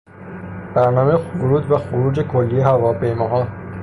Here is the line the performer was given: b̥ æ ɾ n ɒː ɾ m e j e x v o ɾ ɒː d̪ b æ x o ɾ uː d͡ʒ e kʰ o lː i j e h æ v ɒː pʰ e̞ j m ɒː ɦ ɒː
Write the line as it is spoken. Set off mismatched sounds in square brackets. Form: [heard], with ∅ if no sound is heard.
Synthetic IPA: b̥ æ ɾ n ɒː [∅] m e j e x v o ɾ [uː] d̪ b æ x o ɾ uː d͡ʒ e kʰ o lː i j e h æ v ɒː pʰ e̞ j m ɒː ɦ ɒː